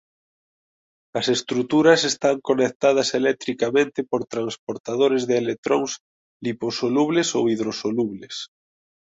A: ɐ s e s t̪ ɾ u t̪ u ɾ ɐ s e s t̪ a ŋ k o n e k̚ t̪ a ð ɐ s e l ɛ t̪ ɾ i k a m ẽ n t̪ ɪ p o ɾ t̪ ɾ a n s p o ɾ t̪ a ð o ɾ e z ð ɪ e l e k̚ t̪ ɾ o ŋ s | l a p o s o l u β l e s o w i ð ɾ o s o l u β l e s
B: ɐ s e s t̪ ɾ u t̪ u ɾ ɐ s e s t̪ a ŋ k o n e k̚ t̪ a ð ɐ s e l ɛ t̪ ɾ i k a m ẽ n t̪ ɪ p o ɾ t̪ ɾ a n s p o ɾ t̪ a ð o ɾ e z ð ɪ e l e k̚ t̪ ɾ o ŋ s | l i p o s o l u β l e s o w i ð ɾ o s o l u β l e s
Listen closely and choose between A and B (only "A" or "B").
B